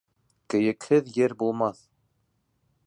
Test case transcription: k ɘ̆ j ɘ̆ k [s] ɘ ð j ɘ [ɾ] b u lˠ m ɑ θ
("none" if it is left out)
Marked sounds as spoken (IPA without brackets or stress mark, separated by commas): h, ɾ